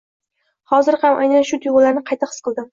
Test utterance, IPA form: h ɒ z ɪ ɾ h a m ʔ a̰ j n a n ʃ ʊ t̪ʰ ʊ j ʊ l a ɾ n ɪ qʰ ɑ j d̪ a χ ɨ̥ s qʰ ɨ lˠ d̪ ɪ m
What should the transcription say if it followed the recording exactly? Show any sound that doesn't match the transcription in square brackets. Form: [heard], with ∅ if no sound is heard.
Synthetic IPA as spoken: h ɒ z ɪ ɾ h a m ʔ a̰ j n a n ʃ ʊ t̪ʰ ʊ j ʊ l a ɾ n ɪ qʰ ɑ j [t̪] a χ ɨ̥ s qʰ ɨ lˠ d̪ ɪ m